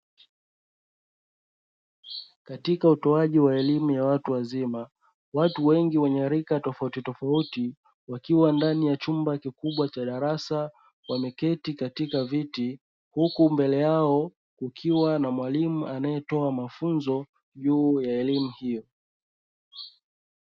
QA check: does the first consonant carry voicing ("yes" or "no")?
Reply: no